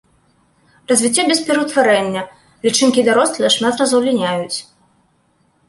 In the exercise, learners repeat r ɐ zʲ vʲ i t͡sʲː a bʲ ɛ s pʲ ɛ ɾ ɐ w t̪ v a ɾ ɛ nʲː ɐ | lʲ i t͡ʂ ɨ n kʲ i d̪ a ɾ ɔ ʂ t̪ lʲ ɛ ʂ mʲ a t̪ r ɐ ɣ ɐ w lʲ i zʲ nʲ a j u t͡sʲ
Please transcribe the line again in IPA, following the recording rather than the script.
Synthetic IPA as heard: r ɐ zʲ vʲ i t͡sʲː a bʲ ɛ s pʲ ɛ ɾ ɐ w t̪ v a ɾ ɛ nʲː ɐ | lʲ i t͡ʂ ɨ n kʲ i d̪ a ɾ ɔ s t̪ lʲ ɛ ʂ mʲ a t̪ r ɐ z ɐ w lʲ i nʲ a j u t͡sʲ